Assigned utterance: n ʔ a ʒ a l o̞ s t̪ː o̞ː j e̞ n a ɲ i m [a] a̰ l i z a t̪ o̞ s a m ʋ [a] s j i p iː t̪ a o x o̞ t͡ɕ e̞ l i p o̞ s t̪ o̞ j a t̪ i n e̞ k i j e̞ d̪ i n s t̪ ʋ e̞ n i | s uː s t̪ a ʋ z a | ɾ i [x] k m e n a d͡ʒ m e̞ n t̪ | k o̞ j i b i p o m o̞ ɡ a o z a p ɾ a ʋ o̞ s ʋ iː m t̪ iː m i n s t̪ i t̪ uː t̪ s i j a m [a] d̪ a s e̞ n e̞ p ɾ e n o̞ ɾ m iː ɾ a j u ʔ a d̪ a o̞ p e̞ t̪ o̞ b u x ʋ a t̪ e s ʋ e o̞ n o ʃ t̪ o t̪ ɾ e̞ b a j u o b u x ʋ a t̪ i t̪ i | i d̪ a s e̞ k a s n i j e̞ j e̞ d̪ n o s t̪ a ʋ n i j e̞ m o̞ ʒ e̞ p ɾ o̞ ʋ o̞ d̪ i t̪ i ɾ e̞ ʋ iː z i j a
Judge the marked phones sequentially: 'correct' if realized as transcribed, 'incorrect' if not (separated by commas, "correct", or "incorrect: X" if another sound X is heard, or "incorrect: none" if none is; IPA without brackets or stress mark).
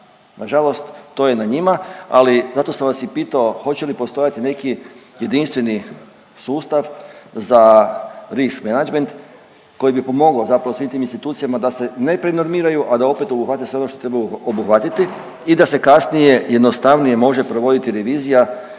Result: correct, correct, incorrect: s, correct